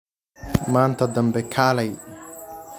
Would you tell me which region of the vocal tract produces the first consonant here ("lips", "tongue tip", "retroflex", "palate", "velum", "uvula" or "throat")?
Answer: lips